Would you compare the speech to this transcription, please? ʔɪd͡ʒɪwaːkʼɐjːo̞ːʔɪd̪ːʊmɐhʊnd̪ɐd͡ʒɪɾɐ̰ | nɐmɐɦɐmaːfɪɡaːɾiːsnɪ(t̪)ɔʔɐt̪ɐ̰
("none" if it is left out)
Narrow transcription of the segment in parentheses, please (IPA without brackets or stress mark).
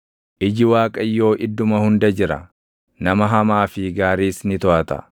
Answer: t̪